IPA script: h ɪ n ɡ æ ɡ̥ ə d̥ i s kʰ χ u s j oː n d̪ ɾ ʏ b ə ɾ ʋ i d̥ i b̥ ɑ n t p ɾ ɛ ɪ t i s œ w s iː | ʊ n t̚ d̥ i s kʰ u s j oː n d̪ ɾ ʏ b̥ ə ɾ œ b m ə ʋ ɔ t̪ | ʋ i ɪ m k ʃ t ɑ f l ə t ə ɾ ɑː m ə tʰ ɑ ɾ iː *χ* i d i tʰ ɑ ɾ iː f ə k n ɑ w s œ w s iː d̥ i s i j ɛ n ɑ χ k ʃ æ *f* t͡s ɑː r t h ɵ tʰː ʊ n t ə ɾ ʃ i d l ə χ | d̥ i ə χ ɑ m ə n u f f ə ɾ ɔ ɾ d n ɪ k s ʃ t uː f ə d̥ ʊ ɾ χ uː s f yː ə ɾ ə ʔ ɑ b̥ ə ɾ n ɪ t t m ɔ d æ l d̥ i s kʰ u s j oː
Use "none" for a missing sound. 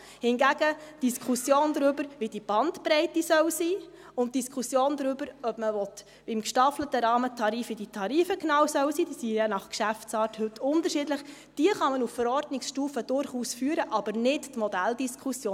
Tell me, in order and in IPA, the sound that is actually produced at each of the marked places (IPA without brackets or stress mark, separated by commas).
f, f